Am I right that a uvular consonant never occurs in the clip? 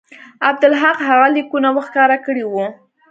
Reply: no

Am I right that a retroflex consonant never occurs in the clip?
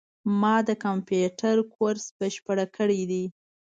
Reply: no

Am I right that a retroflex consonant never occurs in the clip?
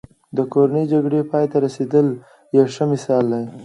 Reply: no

